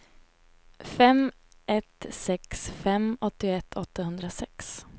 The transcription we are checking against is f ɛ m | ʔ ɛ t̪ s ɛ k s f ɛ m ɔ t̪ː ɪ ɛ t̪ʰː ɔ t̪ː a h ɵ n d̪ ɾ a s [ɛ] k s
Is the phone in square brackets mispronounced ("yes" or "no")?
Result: no